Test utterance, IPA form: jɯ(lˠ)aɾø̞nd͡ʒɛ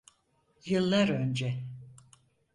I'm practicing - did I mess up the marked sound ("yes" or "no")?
yes